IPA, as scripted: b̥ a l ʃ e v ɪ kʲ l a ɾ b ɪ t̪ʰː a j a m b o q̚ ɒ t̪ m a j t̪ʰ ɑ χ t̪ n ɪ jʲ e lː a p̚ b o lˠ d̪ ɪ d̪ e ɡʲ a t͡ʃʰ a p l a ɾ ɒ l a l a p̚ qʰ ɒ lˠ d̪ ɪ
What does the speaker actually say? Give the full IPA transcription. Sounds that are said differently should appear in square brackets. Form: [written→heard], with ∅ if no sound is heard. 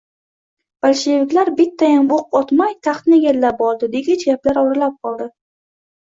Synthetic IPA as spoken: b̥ a l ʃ e v ɪ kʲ l a ɾ b ɪ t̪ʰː a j a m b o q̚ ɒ t̪ m a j t̪ʰ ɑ χ t̪ n ɪ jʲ e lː a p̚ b [o→ɒ] lˠ d̪ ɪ d̪ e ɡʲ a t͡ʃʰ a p l a ɾ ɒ [l→ɾ] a l a p̚ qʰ ɒ lˠ d̪ ɪ